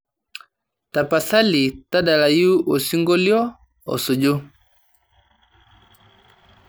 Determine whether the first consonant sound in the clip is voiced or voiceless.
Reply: voiceless